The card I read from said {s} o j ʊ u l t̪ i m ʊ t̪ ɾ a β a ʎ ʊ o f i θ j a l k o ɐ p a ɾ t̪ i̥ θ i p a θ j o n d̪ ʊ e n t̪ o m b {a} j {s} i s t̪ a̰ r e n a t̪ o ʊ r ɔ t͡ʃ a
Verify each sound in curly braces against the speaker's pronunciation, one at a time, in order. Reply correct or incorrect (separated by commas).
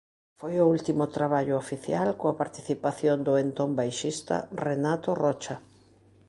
incorrect, correct, incorrect